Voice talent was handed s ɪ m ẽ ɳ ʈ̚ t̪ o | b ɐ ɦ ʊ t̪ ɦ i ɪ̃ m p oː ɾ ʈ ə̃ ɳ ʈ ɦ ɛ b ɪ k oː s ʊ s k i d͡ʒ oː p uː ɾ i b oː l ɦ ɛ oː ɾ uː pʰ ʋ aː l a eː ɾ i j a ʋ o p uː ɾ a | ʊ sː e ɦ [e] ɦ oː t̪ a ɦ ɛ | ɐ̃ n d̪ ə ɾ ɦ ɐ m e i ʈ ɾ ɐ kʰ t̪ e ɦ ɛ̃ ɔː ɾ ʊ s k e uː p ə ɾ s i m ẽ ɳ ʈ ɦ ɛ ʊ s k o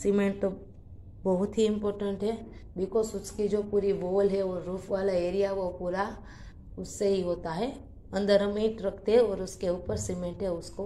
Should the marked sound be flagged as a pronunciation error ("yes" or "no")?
yes